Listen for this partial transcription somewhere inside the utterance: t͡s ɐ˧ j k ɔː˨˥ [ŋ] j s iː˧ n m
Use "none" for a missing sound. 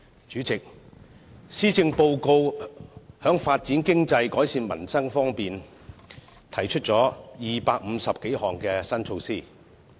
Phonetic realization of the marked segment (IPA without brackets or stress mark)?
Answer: none